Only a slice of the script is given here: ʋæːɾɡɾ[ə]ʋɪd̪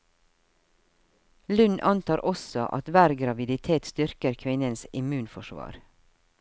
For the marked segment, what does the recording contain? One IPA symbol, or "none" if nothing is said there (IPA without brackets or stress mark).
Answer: ɑ